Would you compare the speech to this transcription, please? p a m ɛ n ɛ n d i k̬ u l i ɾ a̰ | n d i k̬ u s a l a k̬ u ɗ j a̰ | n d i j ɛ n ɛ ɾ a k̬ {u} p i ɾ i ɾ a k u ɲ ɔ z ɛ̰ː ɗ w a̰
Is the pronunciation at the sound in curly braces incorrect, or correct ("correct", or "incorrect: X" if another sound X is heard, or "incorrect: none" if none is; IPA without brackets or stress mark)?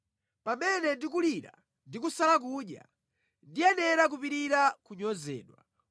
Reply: correct